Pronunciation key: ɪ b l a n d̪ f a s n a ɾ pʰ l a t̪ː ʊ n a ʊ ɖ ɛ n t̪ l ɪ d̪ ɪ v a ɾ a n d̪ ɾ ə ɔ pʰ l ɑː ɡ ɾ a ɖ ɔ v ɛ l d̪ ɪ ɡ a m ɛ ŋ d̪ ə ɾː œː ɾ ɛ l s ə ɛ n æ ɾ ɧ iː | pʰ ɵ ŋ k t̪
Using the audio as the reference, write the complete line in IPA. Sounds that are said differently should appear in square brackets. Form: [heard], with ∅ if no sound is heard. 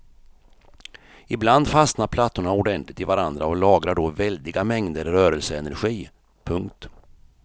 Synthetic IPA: ɪ b l a n d̪ f a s n a ɾ pʰ l a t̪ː ʊ [ɳ] a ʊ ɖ ɛ n t̪ l ɪ [t̪] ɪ v a ɾ a n d̪ ɾ [a] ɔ [∅] l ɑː ɡ ɾ a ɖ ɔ v ɛ l d̪ ɪ ɡ a m ɛ ŋ d̪ ə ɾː œː ɾ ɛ l s ə ɛ n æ ɾ ɧ iː | pʰ ɵ ŋ k t̪

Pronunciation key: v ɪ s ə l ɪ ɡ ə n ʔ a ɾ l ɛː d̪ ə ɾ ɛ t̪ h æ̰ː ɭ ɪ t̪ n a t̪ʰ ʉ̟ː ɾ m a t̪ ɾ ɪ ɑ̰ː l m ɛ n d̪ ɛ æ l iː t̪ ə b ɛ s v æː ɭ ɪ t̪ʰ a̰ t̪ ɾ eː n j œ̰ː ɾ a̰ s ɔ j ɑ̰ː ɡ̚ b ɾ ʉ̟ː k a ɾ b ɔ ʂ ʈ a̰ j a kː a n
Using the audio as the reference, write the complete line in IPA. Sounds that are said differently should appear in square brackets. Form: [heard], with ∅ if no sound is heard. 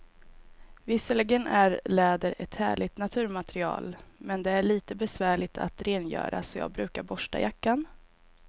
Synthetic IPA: v ɪ s ə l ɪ ɡ ə n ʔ [æ] ɾ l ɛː d̪ ə ɾ ɛ t̪ h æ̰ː ɭ ɪ t̪ n a t̪ʰ ʉ̟ː ɾ m a t̪ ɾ ɪ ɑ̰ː l m ɛ n d̪ ɛ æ [ɭ] iː t̪ ə b ɛ s v æː ɭ ɪ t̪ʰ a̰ t̪ ɾ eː n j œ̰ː ɾ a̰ s ɔ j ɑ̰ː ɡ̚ b ɾ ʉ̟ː k a ɾ b ɔ ʂ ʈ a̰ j a kː a n

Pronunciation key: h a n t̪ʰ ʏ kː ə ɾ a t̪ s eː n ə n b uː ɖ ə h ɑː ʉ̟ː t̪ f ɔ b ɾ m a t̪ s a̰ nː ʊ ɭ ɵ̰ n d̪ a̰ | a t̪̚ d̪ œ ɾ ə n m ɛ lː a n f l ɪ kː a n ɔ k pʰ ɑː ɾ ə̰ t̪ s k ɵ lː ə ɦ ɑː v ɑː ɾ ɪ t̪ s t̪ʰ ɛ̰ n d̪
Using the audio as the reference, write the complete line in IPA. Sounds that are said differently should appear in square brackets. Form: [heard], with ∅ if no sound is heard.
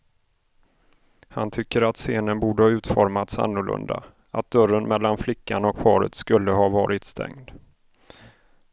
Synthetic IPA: h a n t̪ʰ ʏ kː ə ɾ a t̪ s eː n ə n b uː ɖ ə h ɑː ʉ̟ː t̪ f ɔ [∅] ɾ m a t̪ s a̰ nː ʊ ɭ ɵ̰ n d̪ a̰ | a t̪̚ d̪ œ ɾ ə n m ɛ lː a n f l ɪ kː a n ɔ k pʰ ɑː ɾ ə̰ t̪ s k ɵ lː ə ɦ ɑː v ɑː ɾ ɪ t̪ s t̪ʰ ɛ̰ [ŋ] d̪

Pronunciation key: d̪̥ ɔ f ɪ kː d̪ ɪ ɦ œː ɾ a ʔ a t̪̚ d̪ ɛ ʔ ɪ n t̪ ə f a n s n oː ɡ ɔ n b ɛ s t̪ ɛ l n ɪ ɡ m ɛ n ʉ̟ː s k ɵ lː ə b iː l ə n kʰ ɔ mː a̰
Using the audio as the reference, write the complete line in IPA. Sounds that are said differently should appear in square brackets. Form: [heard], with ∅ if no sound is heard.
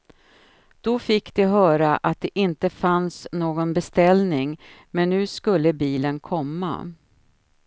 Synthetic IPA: d̪̥ ɔ f ɪ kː d̪ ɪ ɦ œː ɾ a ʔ a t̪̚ d̪ ɛ ʔ ɪ n t̪ ə f a n s n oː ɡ ɔ n b ɛ s t̪ ɛ l n ɪ [ŋ] m ɛ [nː] ʉ̟ː s k ɵ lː ə b iː l ə n kʰ ɔ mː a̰

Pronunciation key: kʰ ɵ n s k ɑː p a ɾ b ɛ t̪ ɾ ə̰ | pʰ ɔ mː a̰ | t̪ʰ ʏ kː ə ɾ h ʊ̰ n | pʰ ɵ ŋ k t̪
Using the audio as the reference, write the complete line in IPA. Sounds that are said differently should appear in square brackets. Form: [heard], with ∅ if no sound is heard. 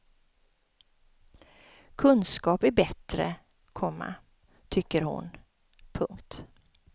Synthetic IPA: kʰ ɵ n s k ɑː p [æ] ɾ b ɛ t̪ ɾ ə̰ | [kʰ] ɔ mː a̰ | t̪ʰ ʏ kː ə ɾ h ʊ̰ n | pʰ ɵ ŋ k t̪

